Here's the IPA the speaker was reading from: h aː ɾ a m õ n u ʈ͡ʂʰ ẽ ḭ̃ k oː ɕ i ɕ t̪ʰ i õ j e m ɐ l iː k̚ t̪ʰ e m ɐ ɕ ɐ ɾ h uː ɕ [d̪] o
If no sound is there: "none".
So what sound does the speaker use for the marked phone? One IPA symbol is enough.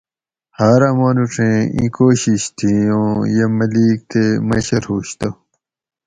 t̪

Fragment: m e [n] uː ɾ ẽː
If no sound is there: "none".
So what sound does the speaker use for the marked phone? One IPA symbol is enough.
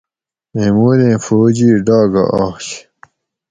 m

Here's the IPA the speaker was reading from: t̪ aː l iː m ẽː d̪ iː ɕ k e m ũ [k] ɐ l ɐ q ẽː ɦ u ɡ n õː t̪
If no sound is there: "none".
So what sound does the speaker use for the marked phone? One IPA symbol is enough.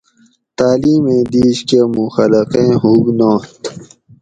x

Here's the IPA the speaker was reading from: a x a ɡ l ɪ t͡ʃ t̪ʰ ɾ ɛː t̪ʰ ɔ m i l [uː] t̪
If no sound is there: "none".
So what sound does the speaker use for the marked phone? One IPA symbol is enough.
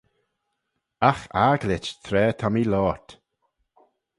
ɔː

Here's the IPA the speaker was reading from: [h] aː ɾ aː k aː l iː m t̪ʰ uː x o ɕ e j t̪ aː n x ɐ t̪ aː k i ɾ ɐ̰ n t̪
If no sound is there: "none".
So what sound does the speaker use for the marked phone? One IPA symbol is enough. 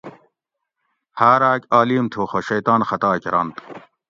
h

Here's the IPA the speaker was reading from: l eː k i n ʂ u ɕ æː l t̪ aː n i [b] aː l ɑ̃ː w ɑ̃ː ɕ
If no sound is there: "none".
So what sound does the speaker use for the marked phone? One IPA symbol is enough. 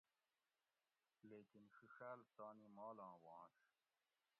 m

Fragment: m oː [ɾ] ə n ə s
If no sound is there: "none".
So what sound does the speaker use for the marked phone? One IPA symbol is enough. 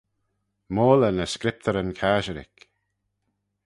l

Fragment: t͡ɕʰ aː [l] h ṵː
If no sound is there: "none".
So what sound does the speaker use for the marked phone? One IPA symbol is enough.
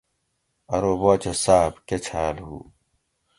l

